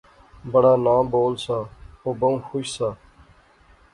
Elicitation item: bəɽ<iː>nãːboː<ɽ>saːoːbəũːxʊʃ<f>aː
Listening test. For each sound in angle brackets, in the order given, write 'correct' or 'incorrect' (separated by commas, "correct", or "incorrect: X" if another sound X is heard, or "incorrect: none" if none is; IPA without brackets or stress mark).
incorrect: aː, incorrect: l, incorrect: s